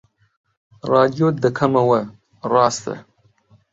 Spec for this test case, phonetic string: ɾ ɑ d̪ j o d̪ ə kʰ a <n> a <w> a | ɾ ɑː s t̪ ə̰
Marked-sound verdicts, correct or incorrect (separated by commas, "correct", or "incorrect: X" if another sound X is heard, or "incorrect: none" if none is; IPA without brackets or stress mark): incorrect: m, correct